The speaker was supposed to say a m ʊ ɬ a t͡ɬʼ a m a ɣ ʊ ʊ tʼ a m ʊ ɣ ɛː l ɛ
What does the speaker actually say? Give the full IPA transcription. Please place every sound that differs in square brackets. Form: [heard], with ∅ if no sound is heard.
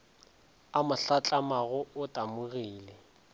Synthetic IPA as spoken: a m ʊ ɬ a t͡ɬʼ a m a ɣ ʊ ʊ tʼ a m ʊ ɣ [iː] l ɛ